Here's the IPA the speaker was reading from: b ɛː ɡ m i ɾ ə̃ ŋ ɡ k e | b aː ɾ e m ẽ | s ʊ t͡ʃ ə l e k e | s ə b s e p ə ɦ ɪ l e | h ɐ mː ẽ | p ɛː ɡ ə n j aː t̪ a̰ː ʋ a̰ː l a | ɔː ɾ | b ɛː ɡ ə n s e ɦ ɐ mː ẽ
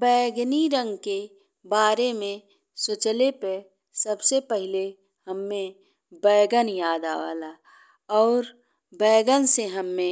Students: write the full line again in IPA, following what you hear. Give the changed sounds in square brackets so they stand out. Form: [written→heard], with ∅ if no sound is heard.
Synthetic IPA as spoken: b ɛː ɡ [m→n] i ɾ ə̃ ŋ ɡ k e | b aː ɾ e m ẽ | s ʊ t͡ʃ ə l e [k→p] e | s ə b s e p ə ɦ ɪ l e | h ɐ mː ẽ | [p→b] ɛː ɡ ə n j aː [t̪→d̪] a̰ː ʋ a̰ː l a | ɔː ɾ | b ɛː ɡ ə n s e ɦ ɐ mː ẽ